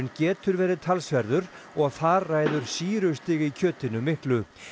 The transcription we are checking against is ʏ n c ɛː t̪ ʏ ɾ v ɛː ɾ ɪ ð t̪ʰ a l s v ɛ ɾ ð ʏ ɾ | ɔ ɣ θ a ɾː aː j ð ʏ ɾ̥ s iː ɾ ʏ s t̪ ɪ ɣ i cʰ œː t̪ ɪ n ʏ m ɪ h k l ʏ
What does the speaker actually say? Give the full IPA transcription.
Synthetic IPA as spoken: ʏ n c ɛː t̪ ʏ ɾ v ɛː ɾ ɪ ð t̪ʰ a l s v ɛ ɾ ð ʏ ɾ | ɔ ɣ θ a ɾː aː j ð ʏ ɾ̥ s iː ɾ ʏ s t̪ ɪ ɣ i cʰ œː t̪ ɪ n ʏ m ɪ h k l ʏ